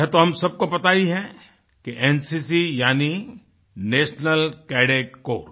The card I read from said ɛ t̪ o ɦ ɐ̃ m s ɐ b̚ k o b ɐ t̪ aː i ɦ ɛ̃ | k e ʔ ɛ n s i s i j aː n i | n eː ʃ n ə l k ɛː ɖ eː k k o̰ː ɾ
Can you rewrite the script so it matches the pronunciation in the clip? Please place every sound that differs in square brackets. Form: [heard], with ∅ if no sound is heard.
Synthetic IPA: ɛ t̪ o ɦ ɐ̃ m s ɐ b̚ k o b ɐ t̪ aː i ɦ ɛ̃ | k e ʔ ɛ n s i s i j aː n i | n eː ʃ n ə l k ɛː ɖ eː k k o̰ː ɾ